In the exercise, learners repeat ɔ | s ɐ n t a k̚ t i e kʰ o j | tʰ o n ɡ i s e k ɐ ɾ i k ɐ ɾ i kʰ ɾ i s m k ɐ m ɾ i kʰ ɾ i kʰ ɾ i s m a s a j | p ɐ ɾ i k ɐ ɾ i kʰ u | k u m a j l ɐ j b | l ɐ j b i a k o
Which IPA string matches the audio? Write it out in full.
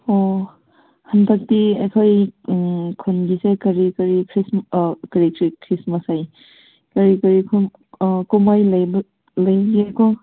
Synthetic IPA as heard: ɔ | h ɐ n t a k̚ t i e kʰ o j | kʰ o n ɡ i s e k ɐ ɾ i k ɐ ɾ i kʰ ɾ i s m k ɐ ɾ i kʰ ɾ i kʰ ɾ i s m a s a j | k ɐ ɾ i k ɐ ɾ i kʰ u | k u m a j l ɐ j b | l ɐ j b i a k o